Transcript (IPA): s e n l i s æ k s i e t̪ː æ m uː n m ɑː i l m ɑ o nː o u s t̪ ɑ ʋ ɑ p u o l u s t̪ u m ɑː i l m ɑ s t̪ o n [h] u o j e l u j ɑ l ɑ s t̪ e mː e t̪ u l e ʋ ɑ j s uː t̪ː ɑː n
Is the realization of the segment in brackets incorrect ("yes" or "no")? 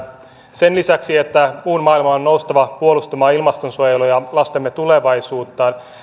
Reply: yes